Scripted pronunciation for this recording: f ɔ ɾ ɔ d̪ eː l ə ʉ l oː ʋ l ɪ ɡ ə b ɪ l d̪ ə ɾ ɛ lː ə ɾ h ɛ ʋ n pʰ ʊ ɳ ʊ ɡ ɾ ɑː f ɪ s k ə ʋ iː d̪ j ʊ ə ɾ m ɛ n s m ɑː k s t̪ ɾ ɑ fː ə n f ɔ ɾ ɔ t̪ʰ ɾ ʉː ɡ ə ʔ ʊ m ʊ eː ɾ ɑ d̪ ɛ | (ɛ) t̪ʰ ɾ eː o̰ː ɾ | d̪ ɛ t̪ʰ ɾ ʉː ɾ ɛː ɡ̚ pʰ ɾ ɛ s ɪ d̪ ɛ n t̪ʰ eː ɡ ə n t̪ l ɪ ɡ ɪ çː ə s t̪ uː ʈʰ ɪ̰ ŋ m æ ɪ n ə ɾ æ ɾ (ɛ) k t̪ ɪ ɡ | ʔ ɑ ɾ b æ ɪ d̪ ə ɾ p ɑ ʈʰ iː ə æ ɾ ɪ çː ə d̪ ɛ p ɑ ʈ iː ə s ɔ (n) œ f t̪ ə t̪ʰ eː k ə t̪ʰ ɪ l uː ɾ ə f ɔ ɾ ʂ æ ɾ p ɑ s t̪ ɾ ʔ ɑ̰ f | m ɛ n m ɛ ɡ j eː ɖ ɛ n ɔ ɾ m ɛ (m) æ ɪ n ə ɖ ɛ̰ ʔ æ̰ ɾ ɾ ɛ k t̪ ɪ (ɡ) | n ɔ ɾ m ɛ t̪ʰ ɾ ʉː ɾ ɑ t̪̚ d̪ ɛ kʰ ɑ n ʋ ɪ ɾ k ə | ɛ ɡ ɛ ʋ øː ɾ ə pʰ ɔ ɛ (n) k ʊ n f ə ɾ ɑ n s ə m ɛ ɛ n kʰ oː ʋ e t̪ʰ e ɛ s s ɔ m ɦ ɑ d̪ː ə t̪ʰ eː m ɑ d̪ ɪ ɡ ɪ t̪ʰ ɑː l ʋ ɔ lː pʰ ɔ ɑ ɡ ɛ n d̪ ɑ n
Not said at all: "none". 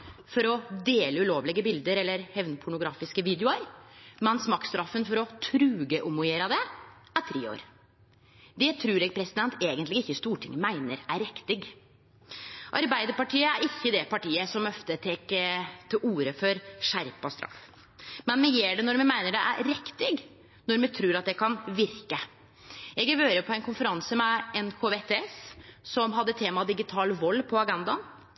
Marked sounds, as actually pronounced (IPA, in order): æ, ɛ, m, m, ɡ, n

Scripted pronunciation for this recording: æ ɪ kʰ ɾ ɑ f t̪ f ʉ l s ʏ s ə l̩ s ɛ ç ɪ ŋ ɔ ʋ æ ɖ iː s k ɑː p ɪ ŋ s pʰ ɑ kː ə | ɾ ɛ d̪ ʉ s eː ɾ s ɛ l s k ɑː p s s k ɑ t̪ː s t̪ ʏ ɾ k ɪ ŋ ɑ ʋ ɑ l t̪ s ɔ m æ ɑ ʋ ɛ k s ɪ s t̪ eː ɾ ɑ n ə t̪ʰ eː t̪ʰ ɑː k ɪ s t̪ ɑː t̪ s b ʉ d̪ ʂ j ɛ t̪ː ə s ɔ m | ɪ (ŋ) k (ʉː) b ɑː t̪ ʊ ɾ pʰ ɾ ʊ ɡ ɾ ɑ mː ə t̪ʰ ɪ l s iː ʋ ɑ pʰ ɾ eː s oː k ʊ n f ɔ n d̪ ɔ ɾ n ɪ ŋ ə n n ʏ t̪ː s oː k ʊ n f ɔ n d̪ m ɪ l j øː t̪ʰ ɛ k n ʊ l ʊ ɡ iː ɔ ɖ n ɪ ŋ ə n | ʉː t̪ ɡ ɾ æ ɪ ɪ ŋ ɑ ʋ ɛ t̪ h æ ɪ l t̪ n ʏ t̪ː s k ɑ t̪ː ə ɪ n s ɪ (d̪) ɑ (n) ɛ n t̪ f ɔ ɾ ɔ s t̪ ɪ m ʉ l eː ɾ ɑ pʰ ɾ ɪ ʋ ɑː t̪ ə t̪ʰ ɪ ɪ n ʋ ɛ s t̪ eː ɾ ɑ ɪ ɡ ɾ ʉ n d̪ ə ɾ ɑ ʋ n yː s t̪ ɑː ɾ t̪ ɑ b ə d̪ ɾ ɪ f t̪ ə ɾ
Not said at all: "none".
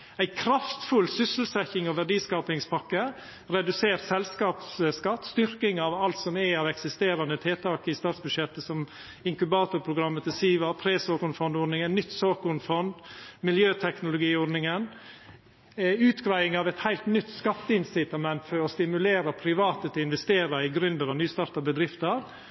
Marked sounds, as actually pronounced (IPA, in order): ŋ, ʉ, t̪, m

